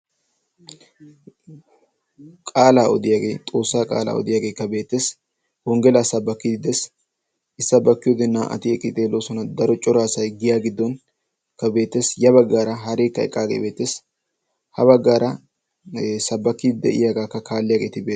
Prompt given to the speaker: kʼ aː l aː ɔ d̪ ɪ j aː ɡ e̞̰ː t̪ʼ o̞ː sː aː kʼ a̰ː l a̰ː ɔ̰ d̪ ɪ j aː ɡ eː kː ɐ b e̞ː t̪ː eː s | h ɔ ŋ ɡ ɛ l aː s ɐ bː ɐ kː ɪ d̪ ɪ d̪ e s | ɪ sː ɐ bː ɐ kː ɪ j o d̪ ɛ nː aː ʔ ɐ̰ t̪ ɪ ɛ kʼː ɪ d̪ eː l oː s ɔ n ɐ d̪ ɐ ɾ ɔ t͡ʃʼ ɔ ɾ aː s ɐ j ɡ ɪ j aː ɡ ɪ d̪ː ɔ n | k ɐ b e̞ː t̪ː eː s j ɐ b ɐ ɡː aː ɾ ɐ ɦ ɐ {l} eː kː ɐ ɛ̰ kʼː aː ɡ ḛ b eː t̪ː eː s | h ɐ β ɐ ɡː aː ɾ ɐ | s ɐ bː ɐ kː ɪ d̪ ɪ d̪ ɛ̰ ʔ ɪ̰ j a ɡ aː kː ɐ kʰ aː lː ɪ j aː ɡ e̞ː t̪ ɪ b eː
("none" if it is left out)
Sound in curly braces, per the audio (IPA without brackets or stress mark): ɾ